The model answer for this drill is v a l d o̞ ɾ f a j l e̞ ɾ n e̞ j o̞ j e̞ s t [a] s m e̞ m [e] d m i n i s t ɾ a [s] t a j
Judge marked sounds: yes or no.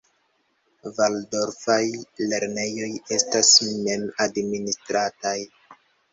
yes, no, no

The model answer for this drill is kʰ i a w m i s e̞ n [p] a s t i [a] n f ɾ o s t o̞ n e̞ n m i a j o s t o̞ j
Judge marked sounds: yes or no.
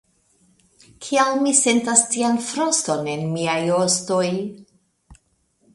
no, yes

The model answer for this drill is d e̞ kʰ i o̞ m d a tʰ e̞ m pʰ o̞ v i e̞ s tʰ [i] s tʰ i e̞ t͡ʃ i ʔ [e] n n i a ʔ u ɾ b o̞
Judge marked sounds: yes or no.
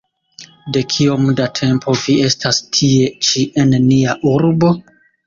no, yes

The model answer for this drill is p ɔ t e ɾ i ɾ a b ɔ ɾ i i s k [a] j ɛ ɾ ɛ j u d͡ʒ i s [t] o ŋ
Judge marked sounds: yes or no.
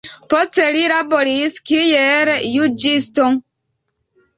no, yes

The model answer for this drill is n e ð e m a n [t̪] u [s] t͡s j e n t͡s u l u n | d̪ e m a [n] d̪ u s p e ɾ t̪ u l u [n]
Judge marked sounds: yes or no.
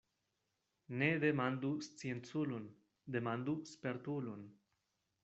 no, yes, yes, yes

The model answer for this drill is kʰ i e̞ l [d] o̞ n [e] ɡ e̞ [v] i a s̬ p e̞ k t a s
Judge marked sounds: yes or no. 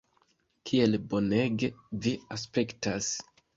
no, yes, yes

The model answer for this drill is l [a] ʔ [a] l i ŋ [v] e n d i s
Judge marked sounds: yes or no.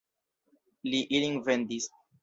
no, no, yes

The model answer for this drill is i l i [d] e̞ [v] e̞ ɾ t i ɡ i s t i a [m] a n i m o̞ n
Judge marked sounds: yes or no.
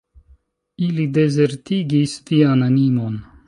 yes, no, no

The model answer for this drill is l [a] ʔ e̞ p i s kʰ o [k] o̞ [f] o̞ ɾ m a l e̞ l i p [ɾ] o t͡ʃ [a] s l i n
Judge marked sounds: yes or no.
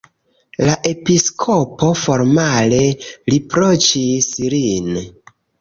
yes, no, yes, yes, no

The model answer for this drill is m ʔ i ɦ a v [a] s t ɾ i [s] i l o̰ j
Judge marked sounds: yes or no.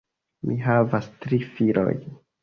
yes, no

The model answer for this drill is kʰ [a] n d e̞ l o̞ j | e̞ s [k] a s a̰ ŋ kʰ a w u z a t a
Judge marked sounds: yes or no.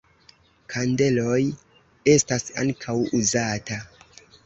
yes, no

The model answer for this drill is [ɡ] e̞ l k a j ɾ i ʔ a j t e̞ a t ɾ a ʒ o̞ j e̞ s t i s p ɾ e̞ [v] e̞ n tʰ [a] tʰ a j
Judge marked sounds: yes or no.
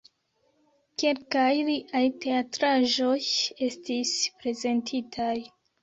no, no, no

